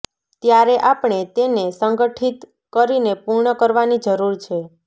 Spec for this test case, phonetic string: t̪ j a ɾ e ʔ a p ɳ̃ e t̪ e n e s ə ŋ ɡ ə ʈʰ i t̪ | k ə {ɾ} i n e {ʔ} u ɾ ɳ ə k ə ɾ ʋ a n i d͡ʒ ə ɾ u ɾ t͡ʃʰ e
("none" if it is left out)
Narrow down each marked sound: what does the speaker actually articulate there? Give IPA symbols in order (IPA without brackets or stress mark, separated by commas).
ɾ, p